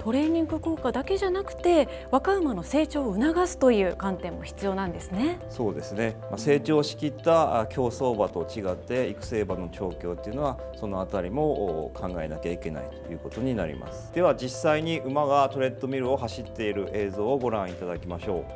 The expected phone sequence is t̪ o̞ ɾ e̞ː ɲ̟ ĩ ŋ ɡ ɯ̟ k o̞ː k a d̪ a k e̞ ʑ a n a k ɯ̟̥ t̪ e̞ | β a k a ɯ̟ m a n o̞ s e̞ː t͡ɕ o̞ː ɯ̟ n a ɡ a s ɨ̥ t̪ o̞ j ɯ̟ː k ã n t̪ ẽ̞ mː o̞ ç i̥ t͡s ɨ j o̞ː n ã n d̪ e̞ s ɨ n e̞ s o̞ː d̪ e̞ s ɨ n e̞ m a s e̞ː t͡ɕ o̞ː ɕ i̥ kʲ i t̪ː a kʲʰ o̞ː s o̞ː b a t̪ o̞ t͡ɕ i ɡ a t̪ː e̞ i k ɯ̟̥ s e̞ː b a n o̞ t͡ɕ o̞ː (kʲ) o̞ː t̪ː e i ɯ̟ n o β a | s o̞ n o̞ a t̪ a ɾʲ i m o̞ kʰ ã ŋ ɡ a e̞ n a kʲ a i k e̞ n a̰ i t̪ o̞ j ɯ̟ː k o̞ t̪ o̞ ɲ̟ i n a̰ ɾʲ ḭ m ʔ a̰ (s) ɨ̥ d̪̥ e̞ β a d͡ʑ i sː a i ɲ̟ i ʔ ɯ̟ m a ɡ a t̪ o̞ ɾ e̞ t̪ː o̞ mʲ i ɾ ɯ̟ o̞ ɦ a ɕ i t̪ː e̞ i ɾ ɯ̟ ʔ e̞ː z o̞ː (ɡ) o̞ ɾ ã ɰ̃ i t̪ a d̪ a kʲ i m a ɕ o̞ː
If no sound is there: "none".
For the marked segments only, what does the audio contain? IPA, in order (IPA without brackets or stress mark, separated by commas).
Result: kʲ, s, ɡ